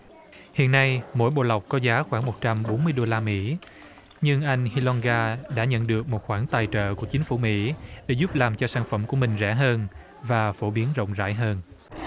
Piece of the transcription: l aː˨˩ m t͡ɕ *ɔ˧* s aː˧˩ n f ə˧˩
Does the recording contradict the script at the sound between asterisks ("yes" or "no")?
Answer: no